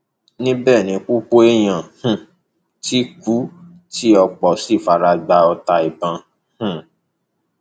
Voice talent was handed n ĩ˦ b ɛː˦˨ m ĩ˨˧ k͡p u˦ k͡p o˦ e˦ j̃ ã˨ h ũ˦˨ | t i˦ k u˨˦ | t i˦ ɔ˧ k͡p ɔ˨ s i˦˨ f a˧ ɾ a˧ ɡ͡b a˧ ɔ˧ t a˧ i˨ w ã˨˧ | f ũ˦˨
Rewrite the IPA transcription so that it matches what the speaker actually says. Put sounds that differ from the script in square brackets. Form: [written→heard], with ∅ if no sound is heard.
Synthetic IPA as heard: n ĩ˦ b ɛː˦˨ [m→n] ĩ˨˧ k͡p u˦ k͡p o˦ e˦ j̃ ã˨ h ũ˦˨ | t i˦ k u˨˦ | t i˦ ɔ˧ k͡p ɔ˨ s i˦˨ f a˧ ɾ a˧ ɡ͡b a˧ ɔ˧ t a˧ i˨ [w→b] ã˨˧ | [f→h] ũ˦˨